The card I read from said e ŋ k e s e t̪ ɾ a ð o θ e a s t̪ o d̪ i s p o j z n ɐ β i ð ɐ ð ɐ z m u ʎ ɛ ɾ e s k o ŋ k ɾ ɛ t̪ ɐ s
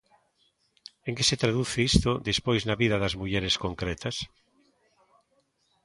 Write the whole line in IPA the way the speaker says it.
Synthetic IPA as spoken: e ŋ k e s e t̪ ɾ a ð u θ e i s t̪ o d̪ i s p o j z n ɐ β i ð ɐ ð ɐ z m u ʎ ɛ ɾ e s k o ŋ k ɾ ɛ t̪ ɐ s